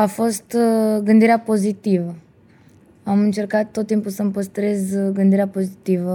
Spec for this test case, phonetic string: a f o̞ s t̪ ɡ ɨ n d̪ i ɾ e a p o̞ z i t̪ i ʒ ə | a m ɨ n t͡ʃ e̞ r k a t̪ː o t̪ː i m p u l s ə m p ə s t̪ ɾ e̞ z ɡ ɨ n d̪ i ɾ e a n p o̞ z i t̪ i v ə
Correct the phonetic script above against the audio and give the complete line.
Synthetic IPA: a f o̞ s t̪ ɡ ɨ n d̪ i ɾ e a p o̞ z i t̪ i v ə | a m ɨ n t͡ʃ e̞ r k a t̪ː o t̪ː i m p u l s ə m p ə s t̪ ɾ e̞ z ɡ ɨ n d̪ i ɾ e a p o̞ z i t̪ i v ə